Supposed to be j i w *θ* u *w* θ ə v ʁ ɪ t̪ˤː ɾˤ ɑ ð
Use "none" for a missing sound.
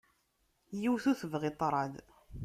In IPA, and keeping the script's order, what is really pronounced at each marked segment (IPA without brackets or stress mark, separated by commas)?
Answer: θ, none